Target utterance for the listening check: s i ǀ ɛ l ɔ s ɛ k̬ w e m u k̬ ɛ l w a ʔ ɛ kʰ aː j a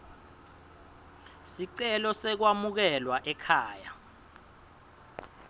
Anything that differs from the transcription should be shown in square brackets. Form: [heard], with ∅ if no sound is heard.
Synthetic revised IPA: s i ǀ ɛ l ɔ s ɛ k̬ w [a] m u k̬ ɛ l w a ʔ ɛ kʰ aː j a